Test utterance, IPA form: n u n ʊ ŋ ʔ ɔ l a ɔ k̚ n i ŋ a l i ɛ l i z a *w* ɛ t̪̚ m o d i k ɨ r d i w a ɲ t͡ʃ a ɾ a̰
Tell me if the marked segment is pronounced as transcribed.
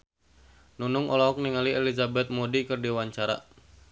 no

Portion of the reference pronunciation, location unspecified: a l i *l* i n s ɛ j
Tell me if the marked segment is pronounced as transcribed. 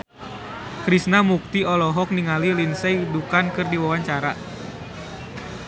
yes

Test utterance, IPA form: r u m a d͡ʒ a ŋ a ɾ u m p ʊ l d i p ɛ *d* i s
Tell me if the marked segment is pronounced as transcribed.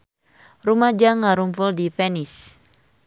no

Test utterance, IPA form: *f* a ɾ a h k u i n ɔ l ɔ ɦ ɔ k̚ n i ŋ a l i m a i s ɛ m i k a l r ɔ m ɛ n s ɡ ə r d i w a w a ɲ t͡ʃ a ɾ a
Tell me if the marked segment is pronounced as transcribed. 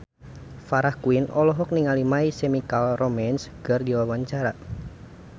yes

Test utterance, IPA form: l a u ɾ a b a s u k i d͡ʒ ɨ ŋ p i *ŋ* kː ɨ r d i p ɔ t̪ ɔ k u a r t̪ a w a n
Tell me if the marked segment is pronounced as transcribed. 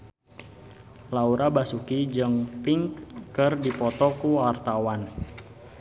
yes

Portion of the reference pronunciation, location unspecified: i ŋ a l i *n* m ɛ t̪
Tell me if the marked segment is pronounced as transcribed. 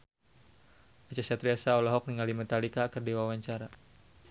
no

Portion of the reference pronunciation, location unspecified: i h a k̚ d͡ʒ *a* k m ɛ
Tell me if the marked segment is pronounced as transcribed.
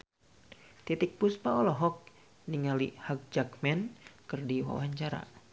yes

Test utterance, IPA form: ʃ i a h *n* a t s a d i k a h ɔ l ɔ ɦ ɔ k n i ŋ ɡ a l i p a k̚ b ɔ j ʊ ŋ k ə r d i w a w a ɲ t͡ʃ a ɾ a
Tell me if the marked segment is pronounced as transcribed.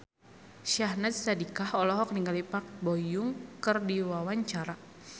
yes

